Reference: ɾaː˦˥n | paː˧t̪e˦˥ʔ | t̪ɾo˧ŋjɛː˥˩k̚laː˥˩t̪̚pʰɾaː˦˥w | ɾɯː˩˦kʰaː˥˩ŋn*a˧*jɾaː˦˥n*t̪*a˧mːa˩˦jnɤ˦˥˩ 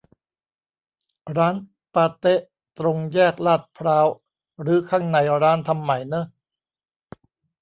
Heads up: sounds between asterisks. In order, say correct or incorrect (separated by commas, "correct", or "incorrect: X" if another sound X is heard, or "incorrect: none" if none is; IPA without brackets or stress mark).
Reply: correct, incorrect: t̪ʰ